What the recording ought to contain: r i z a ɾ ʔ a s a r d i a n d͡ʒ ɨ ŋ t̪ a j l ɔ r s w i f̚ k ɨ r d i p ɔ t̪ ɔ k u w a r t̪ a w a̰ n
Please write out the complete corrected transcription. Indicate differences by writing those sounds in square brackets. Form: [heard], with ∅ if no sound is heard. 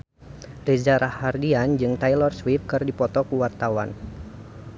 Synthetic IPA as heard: r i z a ɾ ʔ a [h] a r d i a n d͡ʒ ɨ ŋ t̪ a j l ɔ r s w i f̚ k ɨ r d i p ɔ t̪ ɔ k u w a r t̪ a w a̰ n

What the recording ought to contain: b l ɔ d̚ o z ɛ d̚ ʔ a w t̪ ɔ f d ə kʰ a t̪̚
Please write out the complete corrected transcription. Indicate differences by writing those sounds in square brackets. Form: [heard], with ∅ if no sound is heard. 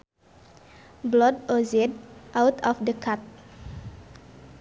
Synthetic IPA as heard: b l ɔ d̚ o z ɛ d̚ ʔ a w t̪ ɔ f d ə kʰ a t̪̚

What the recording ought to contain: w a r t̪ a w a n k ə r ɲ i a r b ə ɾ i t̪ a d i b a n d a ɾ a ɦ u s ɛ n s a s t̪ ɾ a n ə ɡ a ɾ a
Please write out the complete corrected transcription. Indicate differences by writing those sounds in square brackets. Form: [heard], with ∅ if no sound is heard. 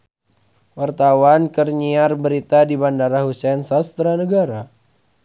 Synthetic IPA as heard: w a r t̪ a w a n k ə r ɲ i a r b ə ɾ i t̪ a d i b a n d a ɾ a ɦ u s ɛ n s a s t̪ ɾ a n ə ɡ a ɾ a

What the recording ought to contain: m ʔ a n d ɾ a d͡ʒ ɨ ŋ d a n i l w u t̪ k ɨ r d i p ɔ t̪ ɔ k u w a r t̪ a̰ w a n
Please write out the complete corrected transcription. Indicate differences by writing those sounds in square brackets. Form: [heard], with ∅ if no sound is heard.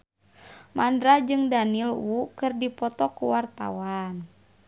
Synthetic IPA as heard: m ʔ a n d ɾ a d͡ʒ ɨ ŋ d a n i l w u [∅] k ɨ r d i p ɔ t̪ ɔ k u w a r t̪ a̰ w a n

